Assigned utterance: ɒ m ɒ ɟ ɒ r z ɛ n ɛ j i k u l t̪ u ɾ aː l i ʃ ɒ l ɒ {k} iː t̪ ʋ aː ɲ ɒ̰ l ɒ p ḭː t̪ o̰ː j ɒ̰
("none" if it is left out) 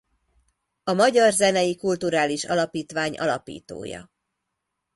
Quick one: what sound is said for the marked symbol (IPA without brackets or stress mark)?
p